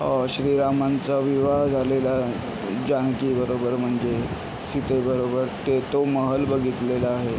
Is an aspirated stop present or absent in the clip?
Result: absent